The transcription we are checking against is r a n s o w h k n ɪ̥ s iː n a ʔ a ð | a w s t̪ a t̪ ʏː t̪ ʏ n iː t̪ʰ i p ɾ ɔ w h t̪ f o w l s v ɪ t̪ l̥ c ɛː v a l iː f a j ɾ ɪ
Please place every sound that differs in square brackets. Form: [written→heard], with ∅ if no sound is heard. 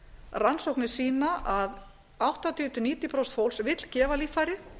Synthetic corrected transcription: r a n s o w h k n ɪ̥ s iː n a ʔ a ð | a w [s→h] t̪ a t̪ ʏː t̪ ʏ n iː [t̪ʰ→t̪] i p ɾ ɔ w [h→s] t̪ f o w l s v ɪ t̪ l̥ c ɛː v a l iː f a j ɾ ɪ